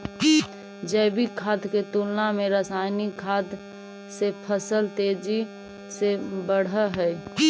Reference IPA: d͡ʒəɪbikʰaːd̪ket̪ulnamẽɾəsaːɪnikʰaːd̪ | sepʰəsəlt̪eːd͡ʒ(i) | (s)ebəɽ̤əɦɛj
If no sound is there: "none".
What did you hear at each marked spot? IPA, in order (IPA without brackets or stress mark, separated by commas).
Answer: i, s